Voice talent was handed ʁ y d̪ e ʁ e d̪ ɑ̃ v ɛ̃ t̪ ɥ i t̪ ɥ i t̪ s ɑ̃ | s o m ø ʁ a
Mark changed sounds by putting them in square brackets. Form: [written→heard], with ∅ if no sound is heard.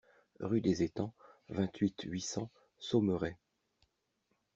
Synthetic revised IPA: ʁ y d̪ e [ʁ→z] e [d̪→t̪] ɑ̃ v ɛ̃ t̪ ɥ i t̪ ɥ i [t̪→∅] s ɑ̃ | s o m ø ʁ [a→ɛ]